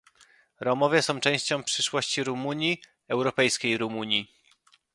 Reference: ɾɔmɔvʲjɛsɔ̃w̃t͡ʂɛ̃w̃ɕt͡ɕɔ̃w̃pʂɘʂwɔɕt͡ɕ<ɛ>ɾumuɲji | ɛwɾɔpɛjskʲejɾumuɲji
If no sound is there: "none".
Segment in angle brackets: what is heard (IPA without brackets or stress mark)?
i